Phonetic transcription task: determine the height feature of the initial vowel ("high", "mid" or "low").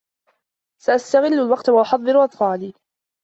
low